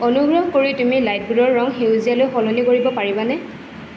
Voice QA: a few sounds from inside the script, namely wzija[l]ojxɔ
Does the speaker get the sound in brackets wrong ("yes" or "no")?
no